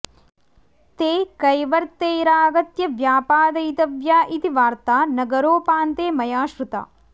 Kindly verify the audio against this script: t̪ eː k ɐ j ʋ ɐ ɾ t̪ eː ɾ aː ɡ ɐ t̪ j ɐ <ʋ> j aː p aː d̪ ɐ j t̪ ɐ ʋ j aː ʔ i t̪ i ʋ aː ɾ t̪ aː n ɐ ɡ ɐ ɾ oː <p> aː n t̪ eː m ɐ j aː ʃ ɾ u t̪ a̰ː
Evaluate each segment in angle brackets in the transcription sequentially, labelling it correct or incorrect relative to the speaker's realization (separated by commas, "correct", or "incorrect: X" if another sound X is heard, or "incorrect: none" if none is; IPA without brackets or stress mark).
correct, correct